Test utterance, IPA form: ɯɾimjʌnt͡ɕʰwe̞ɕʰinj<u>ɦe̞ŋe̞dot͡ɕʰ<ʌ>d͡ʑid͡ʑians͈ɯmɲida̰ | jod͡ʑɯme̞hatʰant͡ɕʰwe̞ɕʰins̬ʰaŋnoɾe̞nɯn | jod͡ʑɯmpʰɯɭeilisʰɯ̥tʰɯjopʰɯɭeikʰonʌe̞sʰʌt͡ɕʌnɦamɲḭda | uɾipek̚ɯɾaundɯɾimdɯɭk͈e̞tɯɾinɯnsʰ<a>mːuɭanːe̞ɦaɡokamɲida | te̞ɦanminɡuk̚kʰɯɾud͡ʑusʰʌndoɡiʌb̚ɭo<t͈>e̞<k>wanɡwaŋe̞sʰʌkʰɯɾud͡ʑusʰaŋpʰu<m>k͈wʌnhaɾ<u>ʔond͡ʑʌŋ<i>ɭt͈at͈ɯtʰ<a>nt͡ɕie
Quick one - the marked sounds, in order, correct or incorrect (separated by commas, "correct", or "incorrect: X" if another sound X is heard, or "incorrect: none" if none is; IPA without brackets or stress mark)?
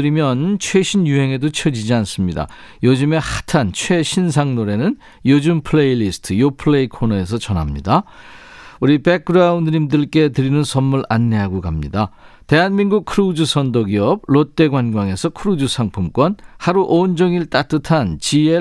correct, correct, incorrect: ʌ, correct, incorrect: ɡ, correct, correct, correct, correct